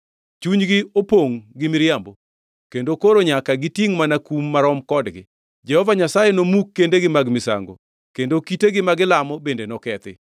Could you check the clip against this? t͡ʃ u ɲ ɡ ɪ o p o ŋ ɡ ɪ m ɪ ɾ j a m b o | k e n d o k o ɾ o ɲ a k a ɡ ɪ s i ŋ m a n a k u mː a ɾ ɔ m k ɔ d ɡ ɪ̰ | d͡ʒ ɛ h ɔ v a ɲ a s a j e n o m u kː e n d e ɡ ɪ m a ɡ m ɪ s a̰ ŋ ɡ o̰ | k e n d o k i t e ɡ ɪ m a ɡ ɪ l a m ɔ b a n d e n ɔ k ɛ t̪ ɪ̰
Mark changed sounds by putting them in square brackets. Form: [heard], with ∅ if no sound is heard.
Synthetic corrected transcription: t͡ʃ u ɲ ɡ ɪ o p o ŋ ɡ ɪ m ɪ ɾ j a m b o | k e n d o k o ɾ o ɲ a k a ɡ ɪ [t] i ŋ m a n a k u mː a ɾ ɔ m k ɔ d ɡ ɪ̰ | d͡ʒ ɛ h ɔ v a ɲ a s a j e n o m u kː e n d e ɡ ɪ m a ɡ m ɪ s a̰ ŋ ɡ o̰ | k e n d o k i t e ɡ ɪ m a ɡ ɪ l a m ɔ b [e] n d e n ɔ k ɛ t̪ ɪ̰